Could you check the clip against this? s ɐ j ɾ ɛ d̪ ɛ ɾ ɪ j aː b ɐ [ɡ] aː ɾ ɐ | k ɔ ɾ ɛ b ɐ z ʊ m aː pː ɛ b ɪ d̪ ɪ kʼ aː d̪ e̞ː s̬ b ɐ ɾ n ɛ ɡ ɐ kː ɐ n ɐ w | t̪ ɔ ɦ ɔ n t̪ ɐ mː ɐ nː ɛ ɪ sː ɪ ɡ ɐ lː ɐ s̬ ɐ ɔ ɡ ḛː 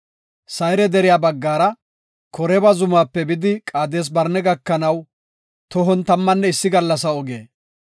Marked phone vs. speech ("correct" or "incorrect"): incorrect